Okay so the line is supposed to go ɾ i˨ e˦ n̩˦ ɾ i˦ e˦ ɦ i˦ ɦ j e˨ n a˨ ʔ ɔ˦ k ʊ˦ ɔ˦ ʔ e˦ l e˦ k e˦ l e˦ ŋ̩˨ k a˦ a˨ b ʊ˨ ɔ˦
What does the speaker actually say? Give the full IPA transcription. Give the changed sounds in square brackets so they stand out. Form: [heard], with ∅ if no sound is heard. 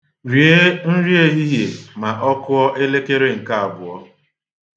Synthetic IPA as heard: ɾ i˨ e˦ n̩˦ ɾ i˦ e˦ ɦ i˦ ɦ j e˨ [m] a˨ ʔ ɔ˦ k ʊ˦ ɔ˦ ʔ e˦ l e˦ k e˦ [ɾ] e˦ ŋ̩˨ k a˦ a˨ b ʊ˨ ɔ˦